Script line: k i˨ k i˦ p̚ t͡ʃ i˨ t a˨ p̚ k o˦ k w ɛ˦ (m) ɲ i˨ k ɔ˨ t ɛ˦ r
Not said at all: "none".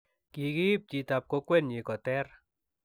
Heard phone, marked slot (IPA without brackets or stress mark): n